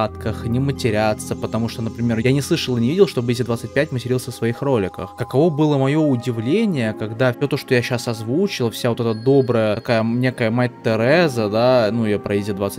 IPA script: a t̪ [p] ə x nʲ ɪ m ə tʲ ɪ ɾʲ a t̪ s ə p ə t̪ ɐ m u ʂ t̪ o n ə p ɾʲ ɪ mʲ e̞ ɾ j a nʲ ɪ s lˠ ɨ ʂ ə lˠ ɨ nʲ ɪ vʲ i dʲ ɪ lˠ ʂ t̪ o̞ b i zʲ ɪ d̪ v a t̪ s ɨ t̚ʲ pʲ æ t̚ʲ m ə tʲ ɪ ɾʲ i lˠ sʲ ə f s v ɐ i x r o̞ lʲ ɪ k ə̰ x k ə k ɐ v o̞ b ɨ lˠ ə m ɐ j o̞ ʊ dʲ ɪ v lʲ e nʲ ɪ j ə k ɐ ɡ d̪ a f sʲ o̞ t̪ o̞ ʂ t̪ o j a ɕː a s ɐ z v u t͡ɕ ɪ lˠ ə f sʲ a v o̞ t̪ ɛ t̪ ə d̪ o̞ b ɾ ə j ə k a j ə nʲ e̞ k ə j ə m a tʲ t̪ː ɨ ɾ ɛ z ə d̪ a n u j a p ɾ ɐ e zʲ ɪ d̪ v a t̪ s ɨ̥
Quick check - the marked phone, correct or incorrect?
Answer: incorrect